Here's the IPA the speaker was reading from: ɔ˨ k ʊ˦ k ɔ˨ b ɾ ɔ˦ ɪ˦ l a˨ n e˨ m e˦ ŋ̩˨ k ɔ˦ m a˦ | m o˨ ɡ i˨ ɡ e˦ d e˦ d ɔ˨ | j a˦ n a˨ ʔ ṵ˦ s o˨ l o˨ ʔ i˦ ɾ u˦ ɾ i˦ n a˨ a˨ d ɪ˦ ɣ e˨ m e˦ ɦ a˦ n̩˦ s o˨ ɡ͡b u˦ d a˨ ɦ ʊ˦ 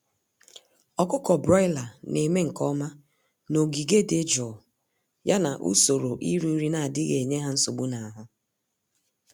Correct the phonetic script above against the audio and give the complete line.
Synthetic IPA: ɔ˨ k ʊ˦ k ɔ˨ b ɾ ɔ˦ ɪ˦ l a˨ n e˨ m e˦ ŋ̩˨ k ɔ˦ m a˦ | n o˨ ɡ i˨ ɡ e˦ d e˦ d͡ʒ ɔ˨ | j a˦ n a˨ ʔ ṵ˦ s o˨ ɾ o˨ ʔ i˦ ɾ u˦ ɾ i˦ n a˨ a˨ d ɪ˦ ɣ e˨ ɲ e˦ ɦ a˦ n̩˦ s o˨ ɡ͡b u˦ n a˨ ɦ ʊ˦

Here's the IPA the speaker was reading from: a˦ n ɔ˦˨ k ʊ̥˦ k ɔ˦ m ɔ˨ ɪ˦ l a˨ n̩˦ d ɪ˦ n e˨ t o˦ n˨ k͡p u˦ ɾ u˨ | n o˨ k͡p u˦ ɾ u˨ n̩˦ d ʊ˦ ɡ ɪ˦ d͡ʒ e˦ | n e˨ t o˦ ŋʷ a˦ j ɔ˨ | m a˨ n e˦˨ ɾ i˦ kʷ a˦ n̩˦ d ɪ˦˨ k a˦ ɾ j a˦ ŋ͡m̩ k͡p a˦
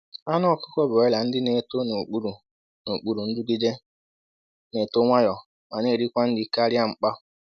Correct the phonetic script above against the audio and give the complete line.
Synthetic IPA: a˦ n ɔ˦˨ k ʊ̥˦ k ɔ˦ b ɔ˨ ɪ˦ l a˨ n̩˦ d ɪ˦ n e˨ t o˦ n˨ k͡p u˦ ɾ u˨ | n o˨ k͡p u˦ ɾ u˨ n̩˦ d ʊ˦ ɡ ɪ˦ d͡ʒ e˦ | n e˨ t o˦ ŋʷ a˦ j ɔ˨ | m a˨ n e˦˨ ɾ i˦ kʷ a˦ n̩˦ d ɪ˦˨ k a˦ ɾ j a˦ ŋ͡m̩ k͡p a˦

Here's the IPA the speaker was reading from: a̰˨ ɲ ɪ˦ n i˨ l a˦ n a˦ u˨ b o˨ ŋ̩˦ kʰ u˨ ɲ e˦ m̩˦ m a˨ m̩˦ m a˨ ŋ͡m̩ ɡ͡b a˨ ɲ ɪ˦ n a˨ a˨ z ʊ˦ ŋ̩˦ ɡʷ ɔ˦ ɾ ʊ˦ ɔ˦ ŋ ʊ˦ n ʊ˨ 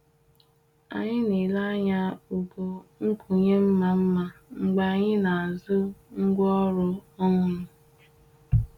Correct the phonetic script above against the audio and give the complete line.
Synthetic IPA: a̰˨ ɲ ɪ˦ n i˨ l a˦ ɲ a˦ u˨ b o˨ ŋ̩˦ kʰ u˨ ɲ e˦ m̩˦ m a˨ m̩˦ m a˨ ŋ͡m̩ ɡ͡b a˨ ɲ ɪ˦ n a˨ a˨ z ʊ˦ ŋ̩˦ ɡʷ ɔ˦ ɾ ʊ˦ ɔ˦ ŋ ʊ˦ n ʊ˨

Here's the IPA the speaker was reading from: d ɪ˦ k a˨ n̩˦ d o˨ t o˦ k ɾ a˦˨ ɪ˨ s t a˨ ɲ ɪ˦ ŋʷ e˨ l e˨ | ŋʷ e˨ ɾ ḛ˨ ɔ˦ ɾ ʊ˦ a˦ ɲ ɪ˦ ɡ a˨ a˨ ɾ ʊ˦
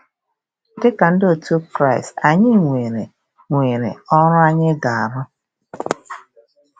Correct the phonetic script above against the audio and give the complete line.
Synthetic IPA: d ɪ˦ k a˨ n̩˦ d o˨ t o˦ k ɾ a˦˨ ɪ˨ s t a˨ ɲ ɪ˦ ŋʷ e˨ ɾ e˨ | ŋʷ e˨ ɾ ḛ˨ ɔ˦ ɾ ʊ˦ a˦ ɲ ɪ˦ ɡ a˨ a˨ ɾ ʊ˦

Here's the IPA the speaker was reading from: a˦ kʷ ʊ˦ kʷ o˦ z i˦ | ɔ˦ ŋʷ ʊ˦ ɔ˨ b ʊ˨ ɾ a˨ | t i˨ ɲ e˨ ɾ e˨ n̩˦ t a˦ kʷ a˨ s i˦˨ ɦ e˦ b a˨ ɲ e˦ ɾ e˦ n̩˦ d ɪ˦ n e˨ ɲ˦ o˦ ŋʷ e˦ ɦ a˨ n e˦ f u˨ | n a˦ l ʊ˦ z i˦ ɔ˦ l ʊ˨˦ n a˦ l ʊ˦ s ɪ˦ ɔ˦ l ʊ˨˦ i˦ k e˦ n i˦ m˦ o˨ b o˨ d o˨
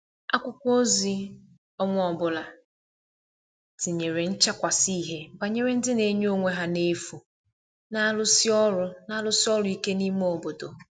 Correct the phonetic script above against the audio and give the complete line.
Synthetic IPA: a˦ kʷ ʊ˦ kʷ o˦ z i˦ | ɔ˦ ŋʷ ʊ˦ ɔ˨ b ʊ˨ l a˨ | t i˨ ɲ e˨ ɾ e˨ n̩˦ t͡ʃ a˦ kʷ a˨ s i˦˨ ɦ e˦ b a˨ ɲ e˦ ɾ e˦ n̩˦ d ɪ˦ n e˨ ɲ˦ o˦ ŋʷ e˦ ɦ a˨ n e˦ f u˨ | n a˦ l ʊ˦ s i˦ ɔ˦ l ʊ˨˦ n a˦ l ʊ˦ s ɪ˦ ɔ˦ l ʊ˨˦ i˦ k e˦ n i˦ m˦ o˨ b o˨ d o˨

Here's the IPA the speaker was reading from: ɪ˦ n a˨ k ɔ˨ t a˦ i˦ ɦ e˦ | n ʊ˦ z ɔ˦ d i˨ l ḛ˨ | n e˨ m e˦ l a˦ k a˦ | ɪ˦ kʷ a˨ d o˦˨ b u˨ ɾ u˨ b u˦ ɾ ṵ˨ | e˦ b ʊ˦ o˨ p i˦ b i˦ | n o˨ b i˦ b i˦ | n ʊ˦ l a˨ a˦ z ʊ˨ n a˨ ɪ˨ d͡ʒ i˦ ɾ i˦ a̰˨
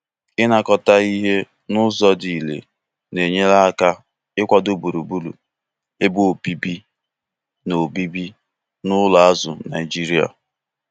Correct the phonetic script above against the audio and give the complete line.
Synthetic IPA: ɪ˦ n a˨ k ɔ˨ t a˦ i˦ ɦ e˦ | n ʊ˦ z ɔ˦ d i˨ l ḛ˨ | n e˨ ɲ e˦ l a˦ k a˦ | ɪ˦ kʷ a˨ d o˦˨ b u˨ ɾ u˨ b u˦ l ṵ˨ | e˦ b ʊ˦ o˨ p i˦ b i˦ | n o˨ b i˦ b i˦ | n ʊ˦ l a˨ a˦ z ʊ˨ n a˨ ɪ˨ d͡ʒ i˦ ɾ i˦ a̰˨

